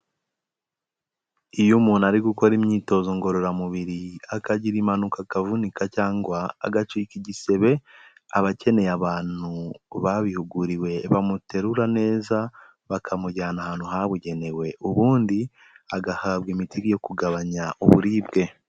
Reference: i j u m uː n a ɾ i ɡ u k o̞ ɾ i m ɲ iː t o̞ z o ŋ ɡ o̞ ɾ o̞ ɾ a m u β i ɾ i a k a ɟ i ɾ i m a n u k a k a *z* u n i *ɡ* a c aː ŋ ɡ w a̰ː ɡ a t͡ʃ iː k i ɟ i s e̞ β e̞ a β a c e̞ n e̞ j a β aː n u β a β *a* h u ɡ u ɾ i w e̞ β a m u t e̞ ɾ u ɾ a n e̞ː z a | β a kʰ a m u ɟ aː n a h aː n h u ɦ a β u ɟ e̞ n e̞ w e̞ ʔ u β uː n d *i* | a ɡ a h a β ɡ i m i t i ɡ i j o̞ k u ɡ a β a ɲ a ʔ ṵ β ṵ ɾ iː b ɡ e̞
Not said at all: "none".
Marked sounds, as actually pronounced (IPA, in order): v, k, i, i

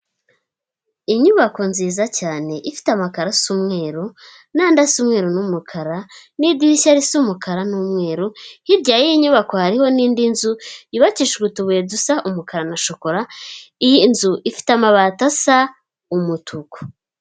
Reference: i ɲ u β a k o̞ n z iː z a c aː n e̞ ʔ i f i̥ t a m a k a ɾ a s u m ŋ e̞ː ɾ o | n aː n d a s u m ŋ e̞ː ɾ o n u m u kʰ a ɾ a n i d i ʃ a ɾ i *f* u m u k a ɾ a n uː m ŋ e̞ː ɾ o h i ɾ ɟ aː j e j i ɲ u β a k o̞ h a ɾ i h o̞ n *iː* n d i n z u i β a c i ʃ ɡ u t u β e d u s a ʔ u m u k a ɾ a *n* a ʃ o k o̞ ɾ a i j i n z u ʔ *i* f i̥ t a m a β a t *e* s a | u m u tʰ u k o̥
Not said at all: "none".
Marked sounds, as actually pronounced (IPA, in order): s, iː, n, i, a

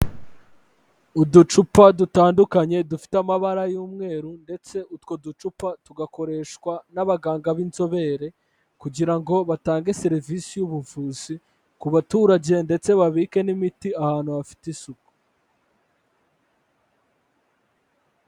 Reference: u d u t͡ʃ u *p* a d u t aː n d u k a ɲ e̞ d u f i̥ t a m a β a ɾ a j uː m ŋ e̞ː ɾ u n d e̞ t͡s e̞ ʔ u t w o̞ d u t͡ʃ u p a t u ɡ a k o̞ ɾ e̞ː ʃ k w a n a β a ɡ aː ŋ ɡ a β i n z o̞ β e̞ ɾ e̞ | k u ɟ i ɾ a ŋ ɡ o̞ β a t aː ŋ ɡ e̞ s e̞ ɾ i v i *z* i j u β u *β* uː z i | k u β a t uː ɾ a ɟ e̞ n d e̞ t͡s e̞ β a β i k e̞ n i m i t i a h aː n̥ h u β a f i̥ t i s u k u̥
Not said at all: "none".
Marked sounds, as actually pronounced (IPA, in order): p, s, v

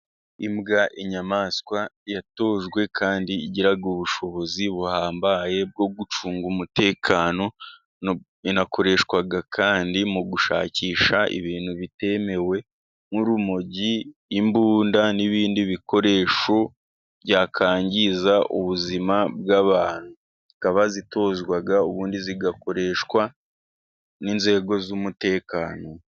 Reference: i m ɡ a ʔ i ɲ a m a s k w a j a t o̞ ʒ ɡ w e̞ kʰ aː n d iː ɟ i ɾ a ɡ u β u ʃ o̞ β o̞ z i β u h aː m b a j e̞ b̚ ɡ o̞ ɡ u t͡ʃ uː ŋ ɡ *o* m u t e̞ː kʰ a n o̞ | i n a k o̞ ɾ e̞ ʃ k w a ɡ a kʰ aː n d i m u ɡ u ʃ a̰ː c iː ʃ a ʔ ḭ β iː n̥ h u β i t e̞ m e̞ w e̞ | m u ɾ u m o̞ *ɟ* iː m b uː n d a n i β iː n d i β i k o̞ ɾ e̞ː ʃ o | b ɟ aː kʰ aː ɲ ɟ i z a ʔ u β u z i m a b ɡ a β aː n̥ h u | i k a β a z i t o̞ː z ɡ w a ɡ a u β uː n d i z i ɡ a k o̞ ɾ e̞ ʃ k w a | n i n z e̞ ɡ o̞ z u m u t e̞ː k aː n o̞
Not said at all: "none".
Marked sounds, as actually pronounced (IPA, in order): u, ɟ

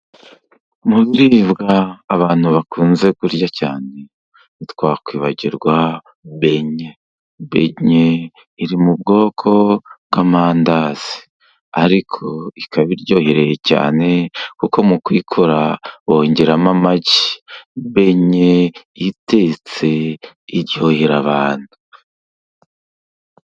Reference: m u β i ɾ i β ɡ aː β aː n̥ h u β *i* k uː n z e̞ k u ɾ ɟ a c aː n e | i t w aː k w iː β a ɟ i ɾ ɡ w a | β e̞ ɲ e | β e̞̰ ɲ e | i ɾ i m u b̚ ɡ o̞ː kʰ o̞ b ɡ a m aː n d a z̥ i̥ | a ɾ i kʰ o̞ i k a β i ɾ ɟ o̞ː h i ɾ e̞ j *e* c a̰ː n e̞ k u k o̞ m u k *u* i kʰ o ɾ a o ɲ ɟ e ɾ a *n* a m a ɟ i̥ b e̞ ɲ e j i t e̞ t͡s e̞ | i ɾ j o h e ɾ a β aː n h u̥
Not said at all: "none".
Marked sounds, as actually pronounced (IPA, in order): a, e, w, m

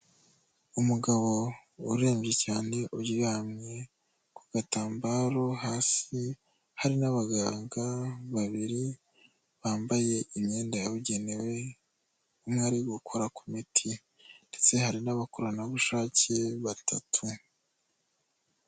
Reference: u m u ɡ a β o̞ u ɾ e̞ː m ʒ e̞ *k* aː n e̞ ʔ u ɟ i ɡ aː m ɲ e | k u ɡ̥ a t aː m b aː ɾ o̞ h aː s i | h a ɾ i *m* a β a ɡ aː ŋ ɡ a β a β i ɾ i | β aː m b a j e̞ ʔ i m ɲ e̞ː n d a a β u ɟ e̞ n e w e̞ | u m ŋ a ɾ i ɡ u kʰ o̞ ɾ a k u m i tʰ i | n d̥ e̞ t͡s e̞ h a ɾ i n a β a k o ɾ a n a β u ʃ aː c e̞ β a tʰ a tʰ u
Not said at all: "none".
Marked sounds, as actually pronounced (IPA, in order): c, n

